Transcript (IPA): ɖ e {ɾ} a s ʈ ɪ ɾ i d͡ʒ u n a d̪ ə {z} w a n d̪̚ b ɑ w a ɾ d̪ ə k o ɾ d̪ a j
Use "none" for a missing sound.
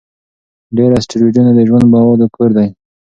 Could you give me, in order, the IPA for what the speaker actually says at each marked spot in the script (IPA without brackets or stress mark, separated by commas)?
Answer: ɾ, ʒ